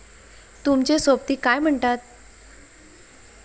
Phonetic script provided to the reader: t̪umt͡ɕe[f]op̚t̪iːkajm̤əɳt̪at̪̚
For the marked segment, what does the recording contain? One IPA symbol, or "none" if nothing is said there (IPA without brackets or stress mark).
s